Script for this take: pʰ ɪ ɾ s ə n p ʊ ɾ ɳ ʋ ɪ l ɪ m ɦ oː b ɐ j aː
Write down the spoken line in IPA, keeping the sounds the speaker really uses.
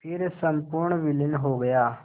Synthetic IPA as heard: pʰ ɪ ɾ s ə m p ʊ ɾ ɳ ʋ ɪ l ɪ n ɦ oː ɡ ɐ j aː